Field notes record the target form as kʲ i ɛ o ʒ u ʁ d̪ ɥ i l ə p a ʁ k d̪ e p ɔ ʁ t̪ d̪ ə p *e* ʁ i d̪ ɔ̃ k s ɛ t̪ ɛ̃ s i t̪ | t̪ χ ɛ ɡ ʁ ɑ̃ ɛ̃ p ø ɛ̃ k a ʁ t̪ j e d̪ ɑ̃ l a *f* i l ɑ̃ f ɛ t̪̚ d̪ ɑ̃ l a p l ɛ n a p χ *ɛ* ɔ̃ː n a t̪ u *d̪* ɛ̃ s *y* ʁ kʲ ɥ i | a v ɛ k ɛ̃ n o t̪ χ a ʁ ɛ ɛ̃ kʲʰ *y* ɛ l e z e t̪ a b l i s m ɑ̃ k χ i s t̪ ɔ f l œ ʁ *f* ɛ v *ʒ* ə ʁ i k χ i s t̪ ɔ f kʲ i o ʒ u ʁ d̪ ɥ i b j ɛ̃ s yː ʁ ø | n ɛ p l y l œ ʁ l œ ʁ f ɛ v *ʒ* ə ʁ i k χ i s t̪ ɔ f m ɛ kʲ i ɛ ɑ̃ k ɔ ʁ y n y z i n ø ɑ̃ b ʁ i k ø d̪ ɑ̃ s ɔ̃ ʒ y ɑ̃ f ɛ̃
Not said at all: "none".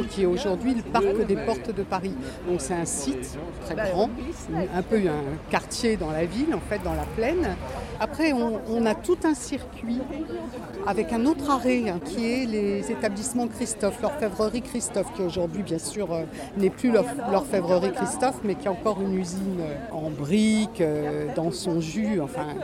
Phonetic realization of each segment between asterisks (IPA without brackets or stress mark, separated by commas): a, v, ɛ, t̪, i, i, f, ʁ, ʁ